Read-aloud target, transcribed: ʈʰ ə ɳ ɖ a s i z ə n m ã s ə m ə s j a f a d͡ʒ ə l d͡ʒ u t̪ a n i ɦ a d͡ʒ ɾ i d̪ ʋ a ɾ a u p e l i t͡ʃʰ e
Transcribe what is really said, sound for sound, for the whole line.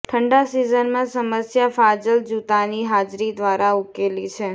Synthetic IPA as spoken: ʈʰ ə ɳ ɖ a s i z ə n m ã s ə m ə s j a f a d͡ʒ ə l d͡ʒ u t̪ a n i ɦ a d͡ʒ ɾ i d̪ ʋ a ɾ a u k e l i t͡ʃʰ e